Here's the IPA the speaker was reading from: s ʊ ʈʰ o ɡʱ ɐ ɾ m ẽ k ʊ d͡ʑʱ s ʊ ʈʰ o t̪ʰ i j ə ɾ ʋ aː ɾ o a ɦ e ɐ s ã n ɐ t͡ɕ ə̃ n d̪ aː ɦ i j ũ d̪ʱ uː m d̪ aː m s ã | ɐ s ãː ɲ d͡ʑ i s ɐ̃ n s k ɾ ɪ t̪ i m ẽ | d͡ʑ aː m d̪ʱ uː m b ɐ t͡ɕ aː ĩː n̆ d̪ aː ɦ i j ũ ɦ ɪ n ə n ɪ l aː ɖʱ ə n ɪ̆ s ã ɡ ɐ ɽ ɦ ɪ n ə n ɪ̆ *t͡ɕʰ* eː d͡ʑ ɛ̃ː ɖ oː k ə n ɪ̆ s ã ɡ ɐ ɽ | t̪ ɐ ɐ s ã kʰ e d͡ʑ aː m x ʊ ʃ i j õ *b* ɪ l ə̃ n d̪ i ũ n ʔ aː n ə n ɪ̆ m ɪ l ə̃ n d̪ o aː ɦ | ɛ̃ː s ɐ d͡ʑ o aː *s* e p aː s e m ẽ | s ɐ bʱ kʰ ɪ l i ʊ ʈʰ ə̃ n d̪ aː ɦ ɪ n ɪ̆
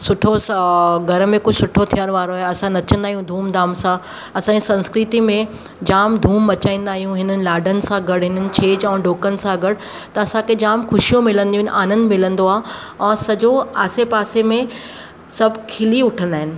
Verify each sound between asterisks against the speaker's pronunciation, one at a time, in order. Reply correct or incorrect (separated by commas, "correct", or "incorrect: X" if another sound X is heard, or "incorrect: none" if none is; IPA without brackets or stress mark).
correct, incorrect: m, correct